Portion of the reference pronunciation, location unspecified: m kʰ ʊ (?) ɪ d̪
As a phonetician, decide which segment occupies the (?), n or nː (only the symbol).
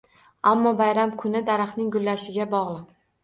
n